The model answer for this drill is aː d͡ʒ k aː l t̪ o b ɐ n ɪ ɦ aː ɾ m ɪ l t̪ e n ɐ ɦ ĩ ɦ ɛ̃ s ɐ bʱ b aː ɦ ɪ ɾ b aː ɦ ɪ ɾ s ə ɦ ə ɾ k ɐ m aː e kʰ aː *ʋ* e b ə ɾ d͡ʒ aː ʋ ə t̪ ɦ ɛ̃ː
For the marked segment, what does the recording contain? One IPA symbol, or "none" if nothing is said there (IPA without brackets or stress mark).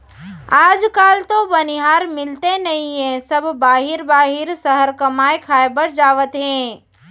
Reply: none